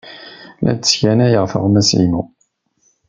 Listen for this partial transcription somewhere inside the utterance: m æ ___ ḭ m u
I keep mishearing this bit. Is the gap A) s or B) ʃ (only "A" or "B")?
A